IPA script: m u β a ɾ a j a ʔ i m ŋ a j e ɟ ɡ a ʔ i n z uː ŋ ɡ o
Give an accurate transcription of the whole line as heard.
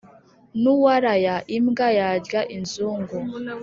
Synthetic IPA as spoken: n u w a ɾ a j a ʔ i m ɡ a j a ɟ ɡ a ʔ i n z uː ŋ ɡ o